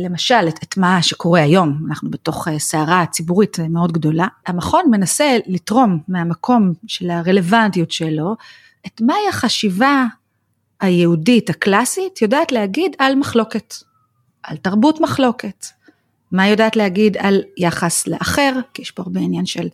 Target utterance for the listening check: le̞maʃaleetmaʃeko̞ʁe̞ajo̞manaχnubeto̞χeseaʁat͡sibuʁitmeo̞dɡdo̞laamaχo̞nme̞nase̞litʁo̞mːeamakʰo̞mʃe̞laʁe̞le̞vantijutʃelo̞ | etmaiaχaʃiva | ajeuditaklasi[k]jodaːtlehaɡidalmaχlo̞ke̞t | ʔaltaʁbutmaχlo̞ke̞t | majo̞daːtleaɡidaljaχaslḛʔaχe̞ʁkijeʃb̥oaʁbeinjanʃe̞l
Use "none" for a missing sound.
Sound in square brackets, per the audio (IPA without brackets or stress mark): t